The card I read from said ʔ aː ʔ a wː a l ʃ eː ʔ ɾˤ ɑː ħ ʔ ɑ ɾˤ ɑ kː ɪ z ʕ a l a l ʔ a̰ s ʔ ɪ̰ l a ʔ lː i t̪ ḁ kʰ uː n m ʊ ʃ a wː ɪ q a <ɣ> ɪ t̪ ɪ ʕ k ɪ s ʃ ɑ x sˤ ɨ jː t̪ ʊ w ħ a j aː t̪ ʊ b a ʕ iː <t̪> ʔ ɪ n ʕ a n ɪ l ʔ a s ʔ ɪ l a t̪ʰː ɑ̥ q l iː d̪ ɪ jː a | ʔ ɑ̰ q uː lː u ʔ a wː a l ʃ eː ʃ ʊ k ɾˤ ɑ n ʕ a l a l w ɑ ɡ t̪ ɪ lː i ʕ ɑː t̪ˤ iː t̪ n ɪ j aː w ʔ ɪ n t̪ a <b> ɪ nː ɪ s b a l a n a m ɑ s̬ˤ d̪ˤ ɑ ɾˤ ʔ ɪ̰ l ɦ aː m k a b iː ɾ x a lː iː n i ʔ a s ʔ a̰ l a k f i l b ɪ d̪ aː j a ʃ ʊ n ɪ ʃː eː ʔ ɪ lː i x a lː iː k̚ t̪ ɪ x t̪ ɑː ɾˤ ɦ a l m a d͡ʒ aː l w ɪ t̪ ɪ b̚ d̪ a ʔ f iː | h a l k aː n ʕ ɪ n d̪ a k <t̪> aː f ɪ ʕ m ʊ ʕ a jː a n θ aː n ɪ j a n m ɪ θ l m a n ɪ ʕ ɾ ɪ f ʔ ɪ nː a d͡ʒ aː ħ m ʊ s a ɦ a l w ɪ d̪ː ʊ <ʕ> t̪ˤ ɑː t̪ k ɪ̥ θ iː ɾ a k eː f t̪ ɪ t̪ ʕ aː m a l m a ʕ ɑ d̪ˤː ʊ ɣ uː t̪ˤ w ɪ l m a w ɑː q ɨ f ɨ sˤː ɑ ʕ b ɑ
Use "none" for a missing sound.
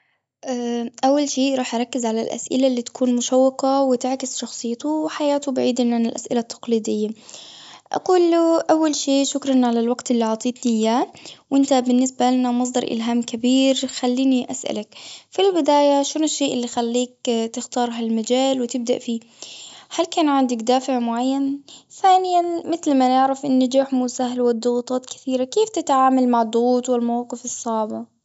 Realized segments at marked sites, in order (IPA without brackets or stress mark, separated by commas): w, d̪, b, d̪, ɣ